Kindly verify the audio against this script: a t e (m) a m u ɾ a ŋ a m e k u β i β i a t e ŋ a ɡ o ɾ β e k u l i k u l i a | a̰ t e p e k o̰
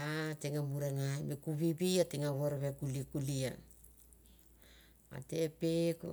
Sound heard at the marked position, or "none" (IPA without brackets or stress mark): ŋ